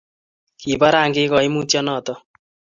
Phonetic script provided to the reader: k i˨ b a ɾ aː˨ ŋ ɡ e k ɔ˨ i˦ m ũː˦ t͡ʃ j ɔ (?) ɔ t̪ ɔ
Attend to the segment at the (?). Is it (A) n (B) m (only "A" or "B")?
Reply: A